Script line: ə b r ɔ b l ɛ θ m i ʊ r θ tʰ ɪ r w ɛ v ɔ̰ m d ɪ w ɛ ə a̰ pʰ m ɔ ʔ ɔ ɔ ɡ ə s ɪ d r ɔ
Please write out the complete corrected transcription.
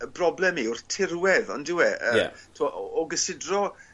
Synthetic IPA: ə b r ɔ b l ɛ m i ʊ r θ tʰ ɪ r w ɛ ð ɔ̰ n d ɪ w ɛ ə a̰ tʰ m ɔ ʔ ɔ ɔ ɡ ə s ɪ d r ɔ